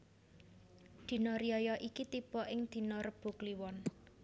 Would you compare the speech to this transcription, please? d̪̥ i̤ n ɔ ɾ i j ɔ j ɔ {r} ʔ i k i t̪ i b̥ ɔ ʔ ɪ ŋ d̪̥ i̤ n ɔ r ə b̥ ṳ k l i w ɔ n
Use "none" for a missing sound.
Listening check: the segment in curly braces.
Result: none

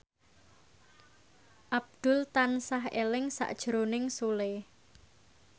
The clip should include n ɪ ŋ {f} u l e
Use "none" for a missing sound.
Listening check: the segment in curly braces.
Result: s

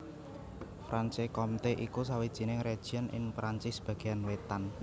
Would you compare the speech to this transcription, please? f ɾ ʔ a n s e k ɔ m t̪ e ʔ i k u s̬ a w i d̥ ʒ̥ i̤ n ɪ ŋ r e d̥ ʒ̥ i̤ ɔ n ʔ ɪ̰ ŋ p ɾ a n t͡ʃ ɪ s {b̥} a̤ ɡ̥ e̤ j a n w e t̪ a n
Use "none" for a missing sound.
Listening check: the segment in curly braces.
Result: b̥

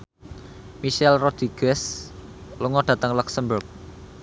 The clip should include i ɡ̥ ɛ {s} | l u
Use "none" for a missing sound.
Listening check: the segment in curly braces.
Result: s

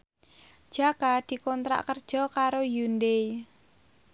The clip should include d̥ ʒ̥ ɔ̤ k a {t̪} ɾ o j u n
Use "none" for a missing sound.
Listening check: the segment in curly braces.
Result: none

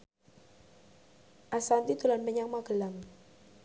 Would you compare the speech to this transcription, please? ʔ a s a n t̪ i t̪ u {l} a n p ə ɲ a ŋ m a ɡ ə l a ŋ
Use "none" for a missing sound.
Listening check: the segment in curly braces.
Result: l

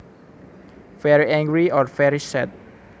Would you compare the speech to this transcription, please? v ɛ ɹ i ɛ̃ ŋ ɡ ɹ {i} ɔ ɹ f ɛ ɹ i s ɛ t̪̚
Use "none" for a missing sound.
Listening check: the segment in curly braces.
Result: i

